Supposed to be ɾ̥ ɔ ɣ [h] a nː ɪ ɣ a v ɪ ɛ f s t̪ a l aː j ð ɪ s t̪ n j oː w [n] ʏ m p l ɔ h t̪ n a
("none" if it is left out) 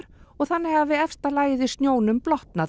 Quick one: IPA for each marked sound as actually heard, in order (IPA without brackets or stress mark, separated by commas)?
θ, n